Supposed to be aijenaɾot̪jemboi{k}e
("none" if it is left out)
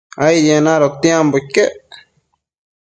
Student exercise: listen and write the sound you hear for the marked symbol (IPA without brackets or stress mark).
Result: k